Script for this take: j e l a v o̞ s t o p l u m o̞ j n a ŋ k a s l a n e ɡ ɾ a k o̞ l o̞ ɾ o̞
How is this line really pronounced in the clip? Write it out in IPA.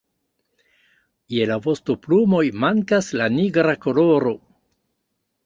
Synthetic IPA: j e l a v o̞ s t o p l u m o̞ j m a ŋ k a s l a n i ɡ ɾ a k o̞ l o̞ ɾ o̞